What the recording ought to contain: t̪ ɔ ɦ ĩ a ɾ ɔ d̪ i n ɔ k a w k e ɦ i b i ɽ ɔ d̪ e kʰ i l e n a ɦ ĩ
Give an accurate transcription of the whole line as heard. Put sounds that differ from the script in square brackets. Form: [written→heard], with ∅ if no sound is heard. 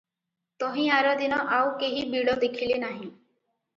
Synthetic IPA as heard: t̪ ɔ ɦ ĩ a ɾ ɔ d̪ i n ɔ [k→ʔ] a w k e ɦ i b i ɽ ɔ d̪ e kʰ i l e n a ɦ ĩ